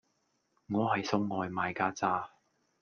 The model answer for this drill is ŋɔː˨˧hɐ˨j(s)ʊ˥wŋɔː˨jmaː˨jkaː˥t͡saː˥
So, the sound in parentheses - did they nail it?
yes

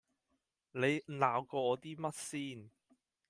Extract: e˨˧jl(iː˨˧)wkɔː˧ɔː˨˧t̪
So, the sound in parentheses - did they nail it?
no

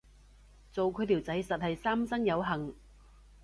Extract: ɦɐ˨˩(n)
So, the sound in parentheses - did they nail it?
no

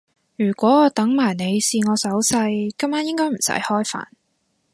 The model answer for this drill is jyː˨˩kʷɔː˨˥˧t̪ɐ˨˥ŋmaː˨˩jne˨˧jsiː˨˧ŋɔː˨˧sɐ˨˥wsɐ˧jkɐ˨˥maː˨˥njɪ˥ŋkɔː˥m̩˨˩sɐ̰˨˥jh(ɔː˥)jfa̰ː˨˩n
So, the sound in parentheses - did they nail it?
yes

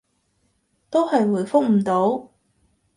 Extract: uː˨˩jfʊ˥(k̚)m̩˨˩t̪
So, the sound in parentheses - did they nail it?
yes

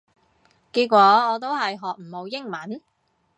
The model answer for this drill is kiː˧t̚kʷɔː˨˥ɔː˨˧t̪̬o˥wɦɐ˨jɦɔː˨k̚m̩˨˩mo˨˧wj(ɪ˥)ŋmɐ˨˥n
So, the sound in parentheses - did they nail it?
yes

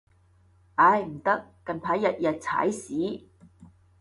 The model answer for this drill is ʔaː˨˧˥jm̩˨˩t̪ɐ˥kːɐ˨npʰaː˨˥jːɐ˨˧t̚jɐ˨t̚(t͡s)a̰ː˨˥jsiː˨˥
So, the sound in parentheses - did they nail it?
no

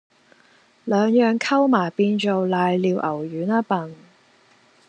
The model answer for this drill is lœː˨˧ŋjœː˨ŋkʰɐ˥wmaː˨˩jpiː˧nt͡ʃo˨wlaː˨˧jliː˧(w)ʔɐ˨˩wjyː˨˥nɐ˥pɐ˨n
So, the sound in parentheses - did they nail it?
yes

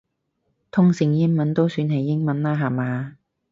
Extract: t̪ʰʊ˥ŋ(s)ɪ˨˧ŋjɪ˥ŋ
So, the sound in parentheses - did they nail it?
yes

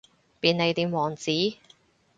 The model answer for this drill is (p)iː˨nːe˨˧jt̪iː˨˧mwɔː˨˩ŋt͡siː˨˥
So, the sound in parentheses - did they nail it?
yes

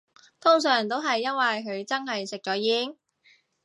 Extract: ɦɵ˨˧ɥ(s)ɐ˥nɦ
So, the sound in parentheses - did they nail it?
no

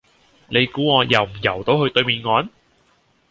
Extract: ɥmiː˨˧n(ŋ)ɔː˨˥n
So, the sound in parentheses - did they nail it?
yes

